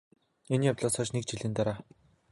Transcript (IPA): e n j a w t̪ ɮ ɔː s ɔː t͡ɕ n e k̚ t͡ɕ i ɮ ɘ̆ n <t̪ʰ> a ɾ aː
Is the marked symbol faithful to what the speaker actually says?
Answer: no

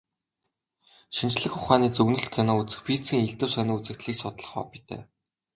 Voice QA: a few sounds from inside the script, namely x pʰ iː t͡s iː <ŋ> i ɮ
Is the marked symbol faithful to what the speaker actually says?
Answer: yes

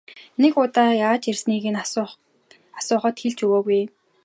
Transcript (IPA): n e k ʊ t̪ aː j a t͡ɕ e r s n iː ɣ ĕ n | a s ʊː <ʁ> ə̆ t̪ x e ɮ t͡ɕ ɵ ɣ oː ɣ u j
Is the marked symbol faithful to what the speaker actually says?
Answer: no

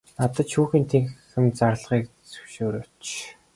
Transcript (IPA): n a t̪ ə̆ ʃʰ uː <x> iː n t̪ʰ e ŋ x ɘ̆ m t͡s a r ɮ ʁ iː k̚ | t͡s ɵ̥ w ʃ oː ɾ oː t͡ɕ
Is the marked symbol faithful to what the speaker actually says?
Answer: yes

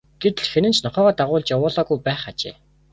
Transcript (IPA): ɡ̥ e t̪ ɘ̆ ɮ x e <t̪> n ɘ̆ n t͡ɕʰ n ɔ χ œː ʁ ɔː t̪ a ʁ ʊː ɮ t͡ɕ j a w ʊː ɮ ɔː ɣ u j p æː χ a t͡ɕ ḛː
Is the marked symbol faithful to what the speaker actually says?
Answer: no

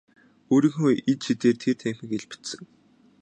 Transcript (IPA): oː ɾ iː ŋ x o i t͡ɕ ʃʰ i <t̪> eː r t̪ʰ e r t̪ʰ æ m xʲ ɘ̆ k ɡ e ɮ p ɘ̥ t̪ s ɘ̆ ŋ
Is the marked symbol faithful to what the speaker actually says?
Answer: yes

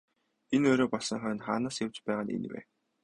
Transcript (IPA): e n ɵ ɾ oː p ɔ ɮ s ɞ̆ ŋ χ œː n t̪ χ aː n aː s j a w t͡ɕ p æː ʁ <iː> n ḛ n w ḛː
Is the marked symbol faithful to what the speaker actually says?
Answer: no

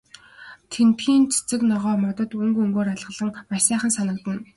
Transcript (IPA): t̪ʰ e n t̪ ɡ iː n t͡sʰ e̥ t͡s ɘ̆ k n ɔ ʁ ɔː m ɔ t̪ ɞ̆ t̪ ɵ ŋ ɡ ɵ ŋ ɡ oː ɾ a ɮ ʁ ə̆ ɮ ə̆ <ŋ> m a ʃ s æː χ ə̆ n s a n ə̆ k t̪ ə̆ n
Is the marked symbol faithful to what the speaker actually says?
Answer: yes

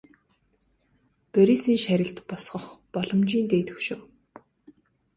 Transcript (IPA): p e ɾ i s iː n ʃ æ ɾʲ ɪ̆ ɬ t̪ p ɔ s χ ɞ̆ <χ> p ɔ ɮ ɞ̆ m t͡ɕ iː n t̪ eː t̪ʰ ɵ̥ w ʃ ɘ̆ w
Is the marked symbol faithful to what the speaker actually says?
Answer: yes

